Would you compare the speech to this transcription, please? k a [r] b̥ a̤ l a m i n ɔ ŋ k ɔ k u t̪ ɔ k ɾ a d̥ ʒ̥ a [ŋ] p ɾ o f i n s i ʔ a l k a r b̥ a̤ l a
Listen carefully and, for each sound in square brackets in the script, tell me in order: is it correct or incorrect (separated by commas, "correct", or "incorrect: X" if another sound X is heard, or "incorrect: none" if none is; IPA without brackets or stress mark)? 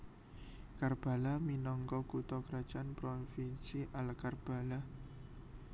correct, incorrect: n